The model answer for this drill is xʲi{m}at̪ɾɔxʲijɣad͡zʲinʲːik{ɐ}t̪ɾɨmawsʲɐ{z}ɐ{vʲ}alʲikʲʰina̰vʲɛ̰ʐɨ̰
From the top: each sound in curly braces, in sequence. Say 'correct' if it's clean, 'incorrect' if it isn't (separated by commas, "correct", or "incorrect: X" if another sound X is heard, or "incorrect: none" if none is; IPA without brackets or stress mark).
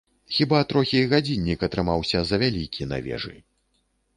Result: incorrect: b, correct, correct, correct